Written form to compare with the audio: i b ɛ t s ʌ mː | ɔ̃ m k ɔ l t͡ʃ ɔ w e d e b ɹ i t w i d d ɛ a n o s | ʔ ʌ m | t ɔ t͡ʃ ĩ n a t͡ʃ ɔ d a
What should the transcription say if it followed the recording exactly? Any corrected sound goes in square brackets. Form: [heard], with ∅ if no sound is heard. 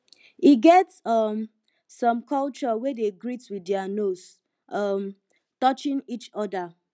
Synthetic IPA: i [ɡ] ɛ t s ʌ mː | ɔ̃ m k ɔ l t͡ʃ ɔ w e d e [ɡ] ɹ i t w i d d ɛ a n o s | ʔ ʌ m | t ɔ t͡ʃ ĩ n [i] t͡ʃ ɔ d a